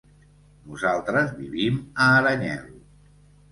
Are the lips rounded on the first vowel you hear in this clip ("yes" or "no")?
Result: yes